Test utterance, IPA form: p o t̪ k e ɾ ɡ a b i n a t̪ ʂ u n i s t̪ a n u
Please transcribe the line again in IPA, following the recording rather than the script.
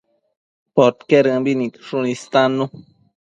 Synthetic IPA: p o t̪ k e ɾ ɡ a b i n i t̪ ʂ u n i s t̪ a n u